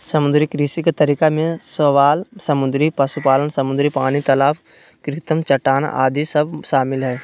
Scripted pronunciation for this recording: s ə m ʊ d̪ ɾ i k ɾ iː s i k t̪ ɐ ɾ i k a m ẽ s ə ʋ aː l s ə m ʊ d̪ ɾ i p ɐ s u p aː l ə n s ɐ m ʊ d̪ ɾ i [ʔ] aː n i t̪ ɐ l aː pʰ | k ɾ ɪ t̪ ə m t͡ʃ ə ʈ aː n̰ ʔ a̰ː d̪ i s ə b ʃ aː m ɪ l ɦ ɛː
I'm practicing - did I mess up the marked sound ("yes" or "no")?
yes